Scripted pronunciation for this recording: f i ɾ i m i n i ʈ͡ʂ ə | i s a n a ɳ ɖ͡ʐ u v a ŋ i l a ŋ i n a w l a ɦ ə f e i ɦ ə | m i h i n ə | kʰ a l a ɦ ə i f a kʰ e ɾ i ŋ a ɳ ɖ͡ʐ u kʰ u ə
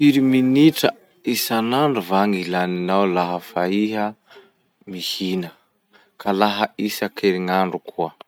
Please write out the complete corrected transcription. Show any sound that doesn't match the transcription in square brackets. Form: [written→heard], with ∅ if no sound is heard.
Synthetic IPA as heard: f i ɾ i m i n i ʈ͡ʂ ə | i s a n a ɳ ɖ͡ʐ u v a ŋ i l a [ŋ→n] i n a w l a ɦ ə f [e→a] i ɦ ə | m i h i n ə | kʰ a l a ɦ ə i [f→s] a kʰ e ɾ i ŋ a ɳ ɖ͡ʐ u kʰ u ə